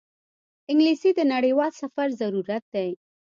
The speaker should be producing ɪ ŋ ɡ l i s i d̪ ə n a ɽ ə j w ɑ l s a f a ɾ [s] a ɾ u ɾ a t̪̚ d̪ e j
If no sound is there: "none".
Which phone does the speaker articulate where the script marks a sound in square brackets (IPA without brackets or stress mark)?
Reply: z